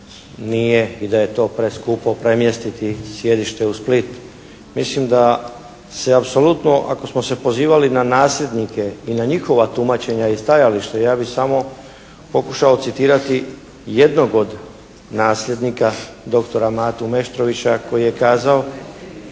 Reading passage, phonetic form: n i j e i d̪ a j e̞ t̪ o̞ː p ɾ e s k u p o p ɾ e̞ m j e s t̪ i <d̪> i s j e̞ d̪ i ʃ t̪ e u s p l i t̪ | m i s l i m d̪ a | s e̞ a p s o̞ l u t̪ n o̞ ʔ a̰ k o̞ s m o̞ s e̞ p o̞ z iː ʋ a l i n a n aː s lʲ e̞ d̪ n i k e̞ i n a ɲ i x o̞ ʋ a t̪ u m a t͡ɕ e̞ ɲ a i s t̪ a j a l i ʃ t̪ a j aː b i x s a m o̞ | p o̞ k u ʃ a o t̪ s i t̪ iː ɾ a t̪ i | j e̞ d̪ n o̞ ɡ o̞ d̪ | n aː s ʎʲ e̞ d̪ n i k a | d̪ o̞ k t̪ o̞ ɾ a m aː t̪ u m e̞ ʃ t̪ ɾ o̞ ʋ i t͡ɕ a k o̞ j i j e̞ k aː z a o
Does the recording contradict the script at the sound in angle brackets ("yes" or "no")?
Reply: yes